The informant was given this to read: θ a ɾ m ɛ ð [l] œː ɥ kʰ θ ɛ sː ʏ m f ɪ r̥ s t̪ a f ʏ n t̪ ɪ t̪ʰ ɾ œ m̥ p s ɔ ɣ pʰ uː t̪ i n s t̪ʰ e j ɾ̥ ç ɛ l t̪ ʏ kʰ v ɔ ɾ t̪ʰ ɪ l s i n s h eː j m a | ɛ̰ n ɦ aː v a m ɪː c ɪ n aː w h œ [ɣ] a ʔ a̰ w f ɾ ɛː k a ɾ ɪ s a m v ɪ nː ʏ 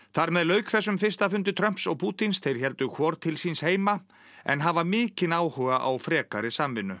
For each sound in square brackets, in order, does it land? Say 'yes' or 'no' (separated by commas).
yes, yes